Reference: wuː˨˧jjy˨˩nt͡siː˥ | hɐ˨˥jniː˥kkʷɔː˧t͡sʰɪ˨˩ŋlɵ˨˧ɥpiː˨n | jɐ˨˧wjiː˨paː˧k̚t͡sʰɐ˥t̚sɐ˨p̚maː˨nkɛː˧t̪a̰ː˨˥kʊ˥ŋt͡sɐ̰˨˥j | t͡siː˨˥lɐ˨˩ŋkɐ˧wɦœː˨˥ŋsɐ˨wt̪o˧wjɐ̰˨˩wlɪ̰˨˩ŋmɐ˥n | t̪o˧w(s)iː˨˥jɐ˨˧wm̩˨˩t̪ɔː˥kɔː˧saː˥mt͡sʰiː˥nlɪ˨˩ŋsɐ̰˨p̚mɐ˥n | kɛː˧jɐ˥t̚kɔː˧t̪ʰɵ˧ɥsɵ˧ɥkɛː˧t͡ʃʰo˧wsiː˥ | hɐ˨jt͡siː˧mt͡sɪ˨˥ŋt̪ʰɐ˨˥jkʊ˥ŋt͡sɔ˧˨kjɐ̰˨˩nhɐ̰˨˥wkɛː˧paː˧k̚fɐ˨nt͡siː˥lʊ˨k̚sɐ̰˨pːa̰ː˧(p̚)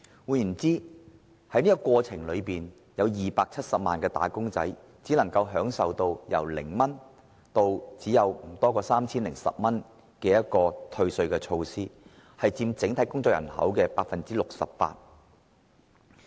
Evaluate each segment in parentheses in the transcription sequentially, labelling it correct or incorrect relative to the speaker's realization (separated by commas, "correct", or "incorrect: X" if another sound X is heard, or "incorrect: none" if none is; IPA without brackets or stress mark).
incorrect: t͡s, incorrect: t̚